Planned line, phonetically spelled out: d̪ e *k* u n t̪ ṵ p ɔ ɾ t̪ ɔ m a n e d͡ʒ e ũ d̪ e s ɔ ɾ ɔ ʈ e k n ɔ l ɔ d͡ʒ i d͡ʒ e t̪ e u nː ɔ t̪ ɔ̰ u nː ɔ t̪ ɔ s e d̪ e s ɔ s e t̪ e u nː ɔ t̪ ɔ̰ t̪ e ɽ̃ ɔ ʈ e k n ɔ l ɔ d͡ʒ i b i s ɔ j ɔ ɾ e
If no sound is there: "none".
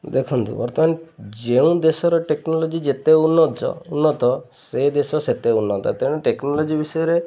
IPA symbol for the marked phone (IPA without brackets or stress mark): kʰ